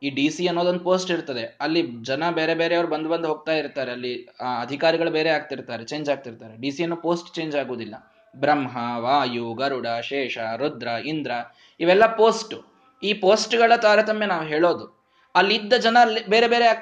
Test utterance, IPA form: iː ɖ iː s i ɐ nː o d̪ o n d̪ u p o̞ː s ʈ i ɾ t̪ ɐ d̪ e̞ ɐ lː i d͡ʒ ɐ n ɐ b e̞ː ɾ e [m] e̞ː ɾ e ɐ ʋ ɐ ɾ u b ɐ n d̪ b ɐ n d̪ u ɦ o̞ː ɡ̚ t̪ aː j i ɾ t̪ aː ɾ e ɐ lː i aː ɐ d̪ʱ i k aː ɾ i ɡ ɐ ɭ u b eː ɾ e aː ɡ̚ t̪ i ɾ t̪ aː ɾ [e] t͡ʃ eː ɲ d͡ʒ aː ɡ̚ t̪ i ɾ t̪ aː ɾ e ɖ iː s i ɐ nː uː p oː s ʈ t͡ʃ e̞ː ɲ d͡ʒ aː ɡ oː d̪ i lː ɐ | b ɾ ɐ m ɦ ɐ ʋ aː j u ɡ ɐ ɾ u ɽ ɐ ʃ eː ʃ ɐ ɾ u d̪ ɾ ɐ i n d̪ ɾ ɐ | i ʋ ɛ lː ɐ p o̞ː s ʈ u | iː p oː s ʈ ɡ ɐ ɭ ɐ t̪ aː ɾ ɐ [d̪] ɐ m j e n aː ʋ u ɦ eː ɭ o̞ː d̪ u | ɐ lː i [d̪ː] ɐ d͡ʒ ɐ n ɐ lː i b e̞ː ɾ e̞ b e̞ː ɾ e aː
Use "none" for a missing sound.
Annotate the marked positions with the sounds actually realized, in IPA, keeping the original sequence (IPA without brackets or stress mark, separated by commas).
b, e, t̪, d̪ː